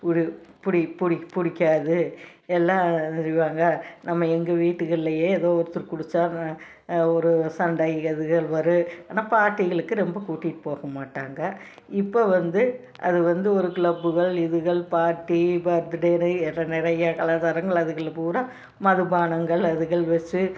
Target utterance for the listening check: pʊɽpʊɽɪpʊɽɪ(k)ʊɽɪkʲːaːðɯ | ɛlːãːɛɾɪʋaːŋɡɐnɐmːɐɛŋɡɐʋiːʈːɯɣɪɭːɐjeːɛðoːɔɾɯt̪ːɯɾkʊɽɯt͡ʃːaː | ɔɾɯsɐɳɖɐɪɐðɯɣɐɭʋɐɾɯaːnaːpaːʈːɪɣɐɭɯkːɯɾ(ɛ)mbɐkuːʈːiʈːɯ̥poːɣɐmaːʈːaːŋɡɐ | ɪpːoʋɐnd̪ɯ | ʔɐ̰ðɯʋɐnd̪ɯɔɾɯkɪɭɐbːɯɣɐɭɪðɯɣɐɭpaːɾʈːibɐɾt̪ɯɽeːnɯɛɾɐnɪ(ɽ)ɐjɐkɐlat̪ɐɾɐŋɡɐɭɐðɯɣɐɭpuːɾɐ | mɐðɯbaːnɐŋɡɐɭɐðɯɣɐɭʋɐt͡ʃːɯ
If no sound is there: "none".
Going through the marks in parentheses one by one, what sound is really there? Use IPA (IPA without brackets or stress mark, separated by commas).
p, ɛ, ɾ